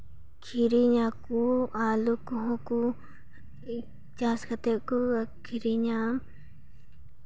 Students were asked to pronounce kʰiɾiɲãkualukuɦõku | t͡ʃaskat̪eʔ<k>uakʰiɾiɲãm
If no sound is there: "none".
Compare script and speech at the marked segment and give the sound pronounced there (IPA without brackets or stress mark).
k